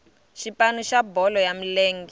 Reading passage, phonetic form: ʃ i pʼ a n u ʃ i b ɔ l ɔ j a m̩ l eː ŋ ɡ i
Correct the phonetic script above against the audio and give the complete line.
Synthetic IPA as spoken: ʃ i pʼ a n u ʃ a b ɔ l ɔ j a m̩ l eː ŋ ɡ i